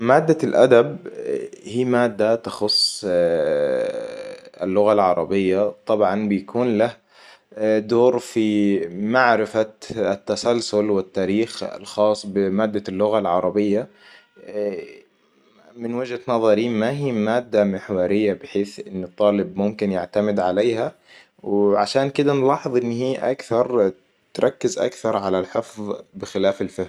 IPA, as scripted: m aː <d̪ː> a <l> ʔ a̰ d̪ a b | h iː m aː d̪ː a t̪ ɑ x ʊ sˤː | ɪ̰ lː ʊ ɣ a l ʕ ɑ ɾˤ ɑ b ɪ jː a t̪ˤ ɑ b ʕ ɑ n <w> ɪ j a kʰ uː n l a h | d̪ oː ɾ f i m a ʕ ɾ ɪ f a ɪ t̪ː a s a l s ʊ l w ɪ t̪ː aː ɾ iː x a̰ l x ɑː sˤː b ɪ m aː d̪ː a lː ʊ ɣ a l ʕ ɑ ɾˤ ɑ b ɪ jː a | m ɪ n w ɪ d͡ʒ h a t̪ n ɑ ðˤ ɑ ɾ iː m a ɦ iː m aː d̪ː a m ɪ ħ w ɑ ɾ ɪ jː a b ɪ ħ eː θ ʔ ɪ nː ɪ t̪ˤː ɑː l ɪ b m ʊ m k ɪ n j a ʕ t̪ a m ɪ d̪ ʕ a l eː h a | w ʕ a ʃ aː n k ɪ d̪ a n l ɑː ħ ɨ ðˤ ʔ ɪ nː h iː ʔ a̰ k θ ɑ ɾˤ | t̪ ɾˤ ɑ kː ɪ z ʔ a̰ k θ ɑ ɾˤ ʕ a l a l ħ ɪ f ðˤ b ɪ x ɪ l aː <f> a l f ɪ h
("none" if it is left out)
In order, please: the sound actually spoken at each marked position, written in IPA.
d̪ː, l, b, f

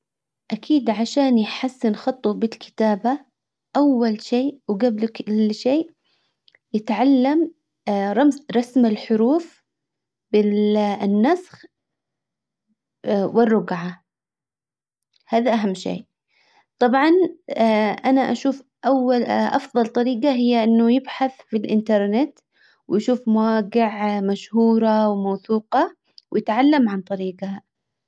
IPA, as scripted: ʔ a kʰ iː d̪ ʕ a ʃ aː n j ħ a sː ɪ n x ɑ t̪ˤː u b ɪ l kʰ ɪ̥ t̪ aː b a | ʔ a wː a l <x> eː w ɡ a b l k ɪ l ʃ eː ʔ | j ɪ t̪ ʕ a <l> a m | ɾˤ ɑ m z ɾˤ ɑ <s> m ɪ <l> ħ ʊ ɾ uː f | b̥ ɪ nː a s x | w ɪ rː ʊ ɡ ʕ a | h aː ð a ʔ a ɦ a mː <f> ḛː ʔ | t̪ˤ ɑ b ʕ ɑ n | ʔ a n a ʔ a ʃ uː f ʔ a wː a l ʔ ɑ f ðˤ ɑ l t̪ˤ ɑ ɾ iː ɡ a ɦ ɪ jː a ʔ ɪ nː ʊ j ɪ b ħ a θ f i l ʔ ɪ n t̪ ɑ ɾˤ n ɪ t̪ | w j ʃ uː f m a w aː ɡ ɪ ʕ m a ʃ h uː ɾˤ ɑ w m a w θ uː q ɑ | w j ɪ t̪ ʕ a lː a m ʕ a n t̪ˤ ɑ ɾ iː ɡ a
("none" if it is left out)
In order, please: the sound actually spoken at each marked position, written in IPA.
ʃ, lː, s, l, ʃ

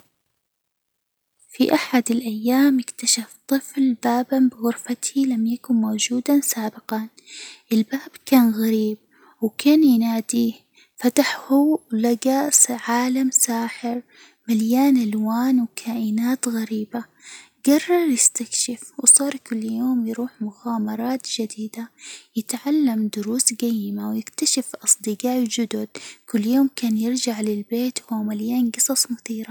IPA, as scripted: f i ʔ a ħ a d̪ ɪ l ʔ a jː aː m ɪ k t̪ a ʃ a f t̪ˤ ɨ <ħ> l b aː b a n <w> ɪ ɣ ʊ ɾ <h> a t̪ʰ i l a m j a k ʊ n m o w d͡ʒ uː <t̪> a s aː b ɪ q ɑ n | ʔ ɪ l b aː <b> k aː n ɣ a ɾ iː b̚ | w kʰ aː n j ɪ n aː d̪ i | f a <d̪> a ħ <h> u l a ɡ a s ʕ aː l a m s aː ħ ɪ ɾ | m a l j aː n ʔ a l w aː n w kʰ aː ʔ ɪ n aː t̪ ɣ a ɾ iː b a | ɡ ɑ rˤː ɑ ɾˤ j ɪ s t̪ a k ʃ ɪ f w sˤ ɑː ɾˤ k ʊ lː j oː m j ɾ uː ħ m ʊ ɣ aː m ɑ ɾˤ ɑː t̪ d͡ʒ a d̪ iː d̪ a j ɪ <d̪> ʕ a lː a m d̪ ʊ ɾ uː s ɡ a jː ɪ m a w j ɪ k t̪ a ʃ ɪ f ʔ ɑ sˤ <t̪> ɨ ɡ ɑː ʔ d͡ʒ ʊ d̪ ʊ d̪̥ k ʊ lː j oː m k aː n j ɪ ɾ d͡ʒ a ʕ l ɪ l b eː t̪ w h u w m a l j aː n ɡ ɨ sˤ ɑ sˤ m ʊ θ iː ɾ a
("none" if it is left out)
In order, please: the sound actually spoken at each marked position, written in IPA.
f, b, f, d̪, b, t̪, h, t̪, d̪

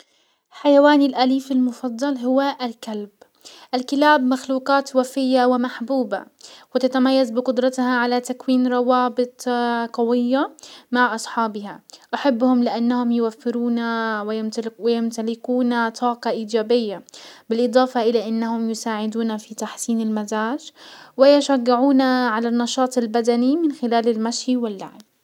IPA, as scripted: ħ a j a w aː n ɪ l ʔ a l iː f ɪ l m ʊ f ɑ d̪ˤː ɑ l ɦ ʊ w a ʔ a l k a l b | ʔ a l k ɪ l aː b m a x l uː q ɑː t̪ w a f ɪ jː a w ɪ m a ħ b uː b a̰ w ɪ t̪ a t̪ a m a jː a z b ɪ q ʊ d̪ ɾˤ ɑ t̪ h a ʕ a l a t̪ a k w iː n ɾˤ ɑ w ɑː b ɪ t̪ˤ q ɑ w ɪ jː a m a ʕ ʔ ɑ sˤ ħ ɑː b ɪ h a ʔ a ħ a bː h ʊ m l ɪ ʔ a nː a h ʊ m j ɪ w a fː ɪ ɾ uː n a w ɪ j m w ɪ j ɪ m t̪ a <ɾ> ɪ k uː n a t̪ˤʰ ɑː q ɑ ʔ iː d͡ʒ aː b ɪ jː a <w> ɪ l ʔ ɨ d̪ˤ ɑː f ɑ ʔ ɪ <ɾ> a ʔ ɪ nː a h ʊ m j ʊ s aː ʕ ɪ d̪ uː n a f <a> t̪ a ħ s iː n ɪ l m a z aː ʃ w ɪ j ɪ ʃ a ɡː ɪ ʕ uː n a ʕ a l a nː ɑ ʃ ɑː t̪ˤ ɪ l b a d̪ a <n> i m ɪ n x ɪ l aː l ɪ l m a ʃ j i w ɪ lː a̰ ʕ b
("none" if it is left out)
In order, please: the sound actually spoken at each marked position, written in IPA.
l, b, l, i, n

